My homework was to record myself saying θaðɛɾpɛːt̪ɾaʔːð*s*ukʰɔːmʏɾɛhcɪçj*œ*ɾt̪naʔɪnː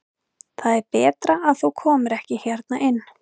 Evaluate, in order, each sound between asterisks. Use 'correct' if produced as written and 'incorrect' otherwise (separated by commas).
incorrect, incorrect